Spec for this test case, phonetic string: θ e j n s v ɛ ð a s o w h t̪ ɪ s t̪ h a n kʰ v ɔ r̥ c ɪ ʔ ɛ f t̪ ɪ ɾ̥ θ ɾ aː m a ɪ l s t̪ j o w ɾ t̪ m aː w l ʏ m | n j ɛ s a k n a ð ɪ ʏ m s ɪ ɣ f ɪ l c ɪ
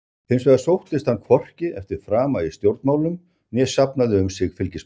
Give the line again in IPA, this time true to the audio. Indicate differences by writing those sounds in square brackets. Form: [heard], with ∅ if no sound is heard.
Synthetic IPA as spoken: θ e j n s v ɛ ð a s o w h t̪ ɪ s t̪ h a n kʰ v ɔ r̥ c ɪ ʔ ɛ f t̪ ɪ ɾ̥ [f] ɾ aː m a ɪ [∅] s t̪ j o w ɾ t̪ m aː w l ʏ m | n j ɛ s a [p] n a ð ɪ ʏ m s ɪ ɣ f ɪ l c ɪ